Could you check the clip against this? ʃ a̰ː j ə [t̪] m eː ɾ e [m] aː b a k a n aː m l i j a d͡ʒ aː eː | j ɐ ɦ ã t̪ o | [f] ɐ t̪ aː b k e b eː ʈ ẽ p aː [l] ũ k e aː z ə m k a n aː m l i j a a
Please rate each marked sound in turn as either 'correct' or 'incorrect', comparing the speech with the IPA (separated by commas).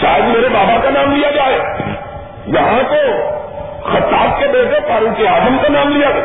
incorrect, incorrect, incorrect, incorrect